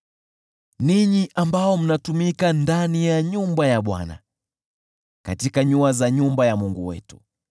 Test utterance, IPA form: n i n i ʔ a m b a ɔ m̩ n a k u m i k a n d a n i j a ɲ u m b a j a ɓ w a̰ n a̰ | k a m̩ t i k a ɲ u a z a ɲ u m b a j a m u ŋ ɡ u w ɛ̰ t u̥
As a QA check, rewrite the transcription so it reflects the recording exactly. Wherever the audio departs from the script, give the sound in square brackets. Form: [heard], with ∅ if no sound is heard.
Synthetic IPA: n i [ɲ] i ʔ a m b a ɔ m̩ n a [t] u m i k a n d a n i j a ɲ u m b a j a ɓ w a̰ n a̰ | k a [∅] t i k a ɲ u a z a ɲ u m b a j a m u ŋ ɡ u w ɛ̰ t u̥